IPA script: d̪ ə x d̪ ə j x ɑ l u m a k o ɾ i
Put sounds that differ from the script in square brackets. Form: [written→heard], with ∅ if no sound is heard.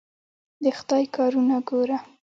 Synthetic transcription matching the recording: d̪ ə x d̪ [ə→ɑ] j [x→k] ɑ [l→ɾ] u [m→n] a [k→ɡ] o ɾ [i→a]